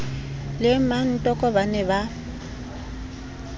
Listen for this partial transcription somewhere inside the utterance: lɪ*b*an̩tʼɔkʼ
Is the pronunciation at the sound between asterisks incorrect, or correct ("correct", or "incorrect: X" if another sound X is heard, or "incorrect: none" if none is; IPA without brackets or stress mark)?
incorrect: m